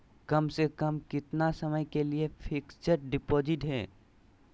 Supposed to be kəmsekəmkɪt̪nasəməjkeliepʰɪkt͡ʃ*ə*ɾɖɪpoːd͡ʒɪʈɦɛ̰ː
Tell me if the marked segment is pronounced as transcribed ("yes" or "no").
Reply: yes